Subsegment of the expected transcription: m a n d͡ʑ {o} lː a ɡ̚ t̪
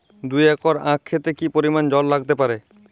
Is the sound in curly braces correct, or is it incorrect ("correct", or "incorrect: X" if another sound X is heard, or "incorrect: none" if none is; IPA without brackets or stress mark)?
incorrect: ɔ